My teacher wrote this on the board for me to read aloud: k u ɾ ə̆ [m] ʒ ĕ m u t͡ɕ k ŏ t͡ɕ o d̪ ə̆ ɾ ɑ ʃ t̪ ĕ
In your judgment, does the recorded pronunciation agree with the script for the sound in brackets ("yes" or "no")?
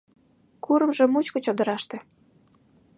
yes